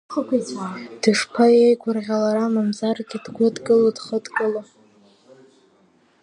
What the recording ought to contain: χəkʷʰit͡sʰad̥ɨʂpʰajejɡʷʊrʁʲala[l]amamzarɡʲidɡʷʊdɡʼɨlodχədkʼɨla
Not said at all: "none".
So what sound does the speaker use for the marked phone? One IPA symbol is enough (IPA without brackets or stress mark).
ɾ